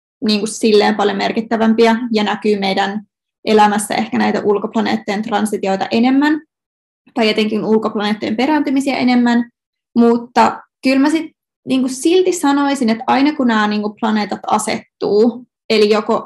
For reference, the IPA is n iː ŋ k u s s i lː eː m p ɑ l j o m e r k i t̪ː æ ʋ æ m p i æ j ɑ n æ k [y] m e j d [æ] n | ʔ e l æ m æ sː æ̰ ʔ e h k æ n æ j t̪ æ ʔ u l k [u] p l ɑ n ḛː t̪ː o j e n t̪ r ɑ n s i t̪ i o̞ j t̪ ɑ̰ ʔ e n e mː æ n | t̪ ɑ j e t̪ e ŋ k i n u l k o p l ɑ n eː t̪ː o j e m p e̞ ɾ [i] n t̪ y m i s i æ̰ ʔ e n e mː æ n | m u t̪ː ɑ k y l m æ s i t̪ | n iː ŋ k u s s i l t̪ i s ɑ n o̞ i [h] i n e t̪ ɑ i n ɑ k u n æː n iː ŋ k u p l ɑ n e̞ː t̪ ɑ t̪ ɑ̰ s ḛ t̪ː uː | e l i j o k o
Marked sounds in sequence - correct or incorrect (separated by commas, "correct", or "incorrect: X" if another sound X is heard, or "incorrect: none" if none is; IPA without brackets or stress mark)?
incorrect: yː, correct, incorrect: o, incorrect: æ, incorrect: s